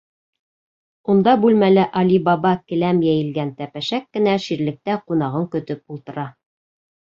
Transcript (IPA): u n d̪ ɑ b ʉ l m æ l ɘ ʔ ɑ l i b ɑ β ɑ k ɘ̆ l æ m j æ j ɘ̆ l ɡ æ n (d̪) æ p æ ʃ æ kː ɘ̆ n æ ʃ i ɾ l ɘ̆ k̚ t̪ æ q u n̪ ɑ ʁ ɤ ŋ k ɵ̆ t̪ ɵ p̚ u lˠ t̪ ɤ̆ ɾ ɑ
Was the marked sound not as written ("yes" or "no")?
yes